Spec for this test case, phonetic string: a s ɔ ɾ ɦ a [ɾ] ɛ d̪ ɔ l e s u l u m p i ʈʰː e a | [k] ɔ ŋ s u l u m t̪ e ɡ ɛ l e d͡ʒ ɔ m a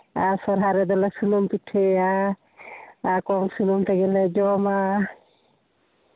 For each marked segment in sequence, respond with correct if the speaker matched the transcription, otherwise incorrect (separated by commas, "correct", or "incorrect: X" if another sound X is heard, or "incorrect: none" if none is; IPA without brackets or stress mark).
correct, correct